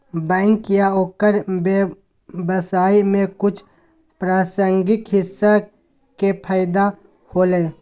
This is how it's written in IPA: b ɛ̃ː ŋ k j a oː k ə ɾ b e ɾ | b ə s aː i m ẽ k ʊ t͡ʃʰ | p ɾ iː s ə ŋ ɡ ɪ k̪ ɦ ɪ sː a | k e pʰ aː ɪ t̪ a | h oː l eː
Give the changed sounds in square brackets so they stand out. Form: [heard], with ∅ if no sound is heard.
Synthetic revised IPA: b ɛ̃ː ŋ k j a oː k ə ɾ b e [∅] | b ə s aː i m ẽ k ʊ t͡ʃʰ | p ɾ [aː] s ə ŋ ɡ ɪ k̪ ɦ ɪ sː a | k e pʰ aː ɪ [d̪] a | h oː l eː